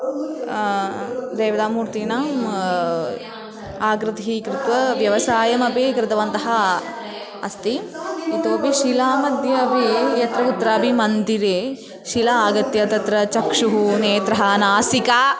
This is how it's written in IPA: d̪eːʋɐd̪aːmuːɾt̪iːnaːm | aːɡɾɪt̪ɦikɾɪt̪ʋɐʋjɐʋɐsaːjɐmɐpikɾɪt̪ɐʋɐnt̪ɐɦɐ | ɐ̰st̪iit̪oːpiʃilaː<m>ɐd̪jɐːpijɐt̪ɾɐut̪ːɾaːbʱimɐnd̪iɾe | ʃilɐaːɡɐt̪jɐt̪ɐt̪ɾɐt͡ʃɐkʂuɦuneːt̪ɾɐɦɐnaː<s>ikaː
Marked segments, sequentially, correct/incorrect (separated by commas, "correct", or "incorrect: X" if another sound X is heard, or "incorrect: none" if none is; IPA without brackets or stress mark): correct, correct